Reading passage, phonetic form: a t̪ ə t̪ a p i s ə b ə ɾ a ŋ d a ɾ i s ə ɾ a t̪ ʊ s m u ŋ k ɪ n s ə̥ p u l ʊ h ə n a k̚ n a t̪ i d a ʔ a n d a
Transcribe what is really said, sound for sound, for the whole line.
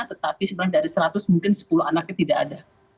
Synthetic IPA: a t̪ ə t̪ a p i s ə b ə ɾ a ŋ d a ɾ i s ə ɾ a t̪ ʊ s m u ŋ k ɪ n s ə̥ p u l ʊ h a n a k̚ ɲ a t̪ i d a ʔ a d a